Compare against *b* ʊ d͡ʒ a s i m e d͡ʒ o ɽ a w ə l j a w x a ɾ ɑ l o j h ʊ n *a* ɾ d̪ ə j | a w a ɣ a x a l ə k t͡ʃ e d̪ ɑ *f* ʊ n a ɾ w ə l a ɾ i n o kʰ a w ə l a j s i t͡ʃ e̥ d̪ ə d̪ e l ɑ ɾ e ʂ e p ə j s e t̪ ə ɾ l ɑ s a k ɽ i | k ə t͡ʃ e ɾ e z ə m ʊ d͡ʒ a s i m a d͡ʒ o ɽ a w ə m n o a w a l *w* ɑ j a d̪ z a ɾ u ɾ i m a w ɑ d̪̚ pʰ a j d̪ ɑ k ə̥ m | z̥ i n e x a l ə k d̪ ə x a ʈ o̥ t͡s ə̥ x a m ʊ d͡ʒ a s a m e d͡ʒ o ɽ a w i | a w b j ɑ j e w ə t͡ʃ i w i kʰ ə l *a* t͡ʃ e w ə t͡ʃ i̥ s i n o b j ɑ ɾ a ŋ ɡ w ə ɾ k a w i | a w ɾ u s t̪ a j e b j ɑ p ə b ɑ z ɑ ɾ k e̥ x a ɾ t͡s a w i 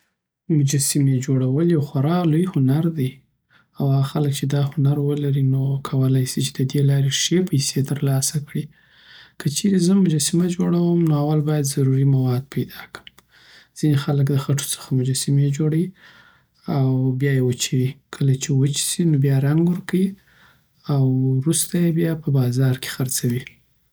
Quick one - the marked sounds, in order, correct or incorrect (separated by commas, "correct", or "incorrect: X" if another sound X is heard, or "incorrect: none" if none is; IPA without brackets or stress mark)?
incorrect: m, correct, incorrect: h, incorrect: b, correct